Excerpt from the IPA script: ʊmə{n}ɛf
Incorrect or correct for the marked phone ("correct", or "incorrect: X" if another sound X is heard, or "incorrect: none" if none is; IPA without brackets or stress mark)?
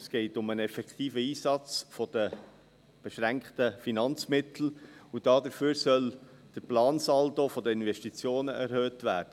correct